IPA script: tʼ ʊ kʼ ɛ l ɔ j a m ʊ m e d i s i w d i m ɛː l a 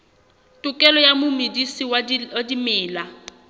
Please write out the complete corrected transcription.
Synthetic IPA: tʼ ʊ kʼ ɛ l ɔ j a m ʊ m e d i s i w d i m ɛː l a